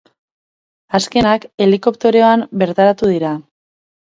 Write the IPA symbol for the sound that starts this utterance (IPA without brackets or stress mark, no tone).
a